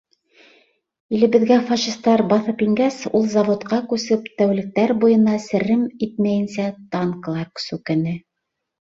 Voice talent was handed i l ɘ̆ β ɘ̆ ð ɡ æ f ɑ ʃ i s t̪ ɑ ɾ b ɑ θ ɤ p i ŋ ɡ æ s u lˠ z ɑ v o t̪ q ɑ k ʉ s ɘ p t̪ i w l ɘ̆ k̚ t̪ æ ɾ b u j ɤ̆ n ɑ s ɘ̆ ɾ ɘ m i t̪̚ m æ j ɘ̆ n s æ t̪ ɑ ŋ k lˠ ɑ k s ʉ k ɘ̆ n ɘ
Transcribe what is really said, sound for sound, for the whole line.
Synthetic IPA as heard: i l ɘ̆ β ɘ̆ ð ɡ æ f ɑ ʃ i s t̪ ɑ ɾ b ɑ θ ɤ p i ŋ ɡ æ s u lˠ z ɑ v o t̪ q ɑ k ʉ s ɘ p t̪ æ w l ɘ̆ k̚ t̪ æ ɾ b u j ɤ̆ n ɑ s ɘ̆ ɾ ɘ m i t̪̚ m æ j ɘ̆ n s æ t̪ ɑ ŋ k lˠ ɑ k s ʉ k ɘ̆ n ɘ